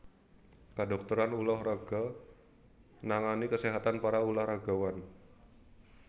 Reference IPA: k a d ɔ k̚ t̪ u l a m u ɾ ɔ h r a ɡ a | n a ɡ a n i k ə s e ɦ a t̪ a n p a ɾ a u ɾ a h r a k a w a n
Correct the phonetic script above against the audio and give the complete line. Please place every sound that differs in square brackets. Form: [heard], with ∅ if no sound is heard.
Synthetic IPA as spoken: k a d ɔ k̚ t̪ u [ɾ] a [n] u [l] ɔ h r a ɡ a | n a [ŋ] a n i k ə s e ɦ a t̪ a n p a ɾ a u [l] a h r a [ɡ] a w a n